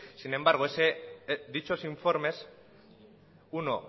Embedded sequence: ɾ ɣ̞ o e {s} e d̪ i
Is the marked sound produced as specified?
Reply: yes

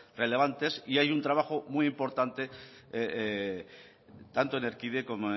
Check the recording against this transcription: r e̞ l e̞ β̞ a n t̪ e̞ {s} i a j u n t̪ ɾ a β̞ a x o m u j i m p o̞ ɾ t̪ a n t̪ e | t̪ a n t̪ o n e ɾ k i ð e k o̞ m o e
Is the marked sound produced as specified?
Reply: yes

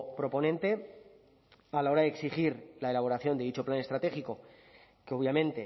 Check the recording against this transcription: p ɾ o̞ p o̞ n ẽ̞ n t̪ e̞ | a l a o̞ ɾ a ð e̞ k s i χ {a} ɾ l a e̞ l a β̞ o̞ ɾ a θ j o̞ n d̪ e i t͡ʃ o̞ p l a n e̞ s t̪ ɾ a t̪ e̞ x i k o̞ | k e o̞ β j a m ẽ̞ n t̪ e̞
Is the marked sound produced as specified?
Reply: no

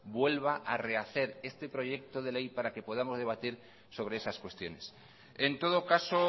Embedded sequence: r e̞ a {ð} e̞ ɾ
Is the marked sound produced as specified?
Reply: no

